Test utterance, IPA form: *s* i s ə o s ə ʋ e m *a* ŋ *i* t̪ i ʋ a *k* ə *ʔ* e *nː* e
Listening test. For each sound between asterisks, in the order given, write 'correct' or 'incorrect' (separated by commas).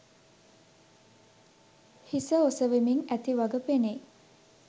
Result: incorrect, incorrect, incorrect, incorrect, incorrect, incorrect